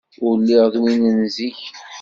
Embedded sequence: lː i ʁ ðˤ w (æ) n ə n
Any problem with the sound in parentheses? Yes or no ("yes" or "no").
yes